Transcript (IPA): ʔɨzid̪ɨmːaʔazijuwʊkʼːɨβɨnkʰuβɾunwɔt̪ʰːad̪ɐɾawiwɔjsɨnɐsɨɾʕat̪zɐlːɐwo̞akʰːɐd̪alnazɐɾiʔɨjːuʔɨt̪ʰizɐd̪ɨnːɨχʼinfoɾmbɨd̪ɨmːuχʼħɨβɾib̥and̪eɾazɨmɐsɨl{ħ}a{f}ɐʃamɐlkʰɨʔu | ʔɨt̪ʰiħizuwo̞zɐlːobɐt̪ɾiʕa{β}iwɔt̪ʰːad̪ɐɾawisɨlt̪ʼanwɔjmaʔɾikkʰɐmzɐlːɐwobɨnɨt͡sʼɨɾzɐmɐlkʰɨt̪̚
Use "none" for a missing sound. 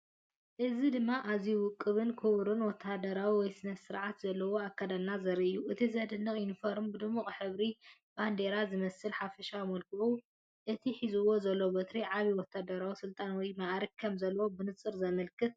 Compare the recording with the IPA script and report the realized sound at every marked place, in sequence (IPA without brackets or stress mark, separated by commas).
ħ, f, β